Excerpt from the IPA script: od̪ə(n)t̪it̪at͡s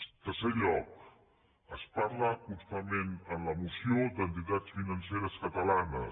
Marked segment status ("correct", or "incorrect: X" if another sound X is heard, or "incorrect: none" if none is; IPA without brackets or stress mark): correct